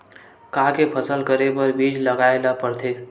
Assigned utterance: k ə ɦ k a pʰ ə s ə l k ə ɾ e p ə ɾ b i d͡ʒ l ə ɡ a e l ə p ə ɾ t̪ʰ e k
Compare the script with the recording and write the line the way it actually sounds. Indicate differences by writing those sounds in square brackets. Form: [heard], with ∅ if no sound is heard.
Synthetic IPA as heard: k [a] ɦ k [e] pʰ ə s ə l k ə ɾ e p ə ɾ b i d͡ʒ l ə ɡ a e l [a] p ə ɾ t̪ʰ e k